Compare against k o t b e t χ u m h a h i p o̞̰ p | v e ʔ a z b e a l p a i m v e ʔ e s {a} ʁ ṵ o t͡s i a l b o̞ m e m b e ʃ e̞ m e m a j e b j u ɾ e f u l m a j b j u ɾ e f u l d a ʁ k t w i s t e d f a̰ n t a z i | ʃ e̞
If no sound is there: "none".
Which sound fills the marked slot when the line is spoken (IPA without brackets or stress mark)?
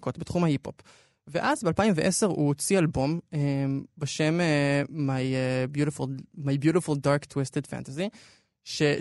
e